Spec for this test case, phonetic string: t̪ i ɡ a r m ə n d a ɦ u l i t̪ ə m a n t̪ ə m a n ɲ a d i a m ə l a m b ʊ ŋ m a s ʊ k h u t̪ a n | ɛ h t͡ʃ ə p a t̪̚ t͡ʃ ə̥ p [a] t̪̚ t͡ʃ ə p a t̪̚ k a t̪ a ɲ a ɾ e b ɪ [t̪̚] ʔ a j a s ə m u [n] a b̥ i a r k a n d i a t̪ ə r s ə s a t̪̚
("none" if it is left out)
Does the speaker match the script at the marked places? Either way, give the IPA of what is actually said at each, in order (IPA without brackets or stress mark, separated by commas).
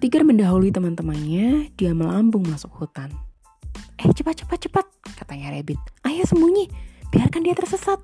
a, t̪̚, ɲ